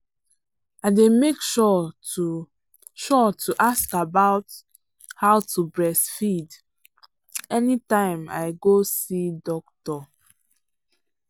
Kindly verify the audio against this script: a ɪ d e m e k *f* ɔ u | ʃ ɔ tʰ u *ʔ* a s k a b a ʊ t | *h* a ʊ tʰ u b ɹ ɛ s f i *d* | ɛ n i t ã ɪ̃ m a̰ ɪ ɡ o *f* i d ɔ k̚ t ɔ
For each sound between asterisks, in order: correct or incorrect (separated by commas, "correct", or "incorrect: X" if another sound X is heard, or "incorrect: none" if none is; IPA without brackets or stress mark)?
incorrect: ʃ, correct, correct, correct, incorrect: s